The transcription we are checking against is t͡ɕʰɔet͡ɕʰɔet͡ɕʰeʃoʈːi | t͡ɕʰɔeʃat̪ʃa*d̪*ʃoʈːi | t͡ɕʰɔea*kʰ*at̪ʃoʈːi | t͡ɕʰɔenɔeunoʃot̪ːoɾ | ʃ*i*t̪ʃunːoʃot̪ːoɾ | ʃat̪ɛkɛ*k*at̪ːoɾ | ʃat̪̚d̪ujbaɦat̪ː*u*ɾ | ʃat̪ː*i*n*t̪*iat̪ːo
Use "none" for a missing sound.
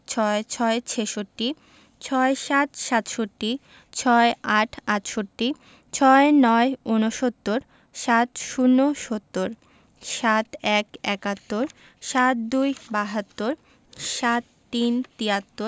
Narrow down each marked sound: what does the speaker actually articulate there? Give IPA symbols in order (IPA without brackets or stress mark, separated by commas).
t̪, ʈʰ, a, k, o, i, t̪